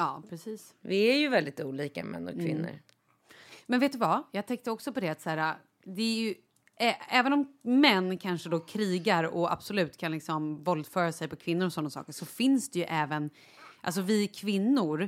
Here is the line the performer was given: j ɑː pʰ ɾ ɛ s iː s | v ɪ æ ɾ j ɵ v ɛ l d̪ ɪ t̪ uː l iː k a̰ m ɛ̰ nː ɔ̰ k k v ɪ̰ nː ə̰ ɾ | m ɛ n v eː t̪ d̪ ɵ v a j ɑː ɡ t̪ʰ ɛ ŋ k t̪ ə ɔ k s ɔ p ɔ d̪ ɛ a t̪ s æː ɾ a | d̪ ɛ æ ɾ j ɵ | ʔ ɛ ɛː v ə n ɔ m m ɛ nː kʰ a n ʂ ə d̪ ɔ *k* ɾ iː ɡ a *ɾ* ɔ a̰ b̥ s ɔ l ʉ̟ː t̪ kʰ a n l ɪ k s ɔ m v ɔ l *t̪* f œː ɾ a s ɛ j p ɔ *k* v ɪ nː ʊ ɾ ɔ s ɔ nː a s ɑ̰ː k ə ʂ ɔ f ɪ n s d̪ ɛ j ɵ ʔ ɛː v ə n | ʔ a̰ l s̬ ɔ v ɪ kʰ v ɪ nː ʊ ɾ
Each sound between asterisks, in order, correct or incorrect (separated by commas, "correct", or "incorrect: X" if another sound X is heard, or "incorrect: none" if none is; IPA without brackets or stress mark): incorrect: kʰ, correct, incorrect: d̪, incorrect: kʰ